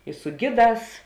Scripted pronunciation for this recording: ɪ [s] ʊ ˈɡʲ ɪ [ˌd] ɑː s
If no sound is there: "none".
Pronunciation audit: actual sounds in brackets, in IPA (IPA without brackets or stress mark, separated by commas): s, d